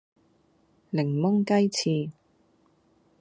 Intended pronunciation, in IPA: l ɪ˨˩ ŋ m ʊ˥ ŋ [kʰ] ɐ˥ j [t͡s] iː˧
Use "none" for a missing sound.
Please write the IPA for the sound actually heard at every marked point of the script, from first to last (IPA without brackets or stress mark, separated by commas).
k, t͡sʰ